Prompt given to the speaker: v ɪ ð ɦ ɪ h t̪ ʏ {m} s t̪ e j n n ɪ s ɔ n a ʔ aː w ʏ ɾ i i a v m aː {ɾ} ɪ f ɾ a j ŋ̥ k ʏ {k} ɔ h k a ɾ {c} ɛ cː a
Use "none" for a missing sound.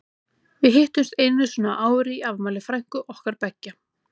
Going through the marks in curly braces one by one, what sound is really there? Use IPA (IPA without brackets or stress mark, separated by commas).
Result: m, l, ʔ, p